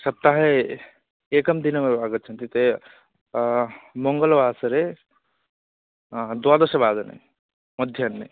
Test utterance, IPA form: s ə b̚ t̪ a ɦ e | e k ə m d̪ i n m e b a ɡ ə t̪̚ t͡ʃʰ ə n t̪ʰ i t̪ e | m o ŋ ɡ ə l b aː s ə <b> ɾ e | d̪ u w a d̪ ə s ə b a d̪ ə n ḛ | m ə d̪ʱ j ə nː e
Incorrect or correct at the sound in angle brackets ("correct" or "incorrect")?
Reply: incorrect